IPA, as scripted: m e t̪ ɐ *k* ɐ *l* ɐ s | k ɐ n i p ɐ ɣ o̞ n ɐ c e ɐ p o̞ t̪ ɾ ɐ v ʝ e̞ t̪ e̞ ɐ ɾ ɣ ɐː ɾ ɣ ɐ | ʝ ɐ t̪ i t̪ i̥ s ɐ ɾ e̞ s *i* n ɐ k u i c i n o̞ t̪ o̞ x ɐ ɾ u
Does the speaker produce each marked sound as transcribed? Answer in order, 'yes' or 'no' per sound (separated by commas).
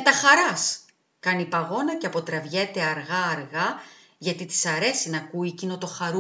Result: no, no, yes